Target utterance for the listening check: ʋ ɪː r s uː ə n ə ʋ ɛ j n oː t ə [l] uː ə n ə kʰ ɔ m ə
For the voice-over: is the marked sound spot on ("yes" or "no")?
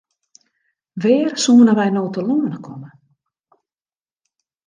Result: yes